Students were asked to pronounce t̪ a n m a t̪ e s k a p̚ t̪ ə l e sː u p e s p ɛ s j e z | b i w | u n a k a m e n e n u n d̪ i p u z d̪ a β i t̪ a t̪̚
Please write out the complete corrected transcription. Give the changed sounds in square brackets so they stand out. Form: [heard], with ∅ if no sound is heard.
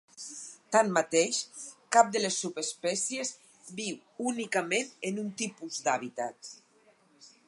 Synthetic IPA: t̪ a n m a t̪ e [ʃ] k a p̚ [d̪] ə l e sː u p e s p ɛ s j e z | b i w | u n [i] k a m e n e n u n [t̪] i p u z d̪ a β i t̪ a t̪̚